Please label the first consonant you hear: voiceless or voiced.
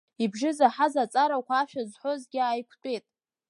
voiced